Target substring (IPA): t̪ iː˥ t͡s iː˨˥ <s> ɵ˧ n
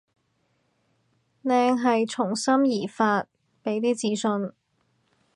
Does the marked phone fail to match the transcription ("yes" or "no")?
no